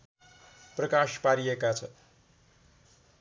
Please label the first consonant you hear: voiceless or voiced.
voiceless